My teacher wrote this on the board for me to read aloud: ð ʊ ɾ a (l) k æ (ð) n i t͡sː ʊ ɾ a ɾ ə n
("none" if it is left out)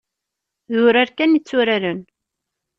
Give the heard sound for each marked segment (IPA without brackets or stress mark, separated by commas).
ɾ, none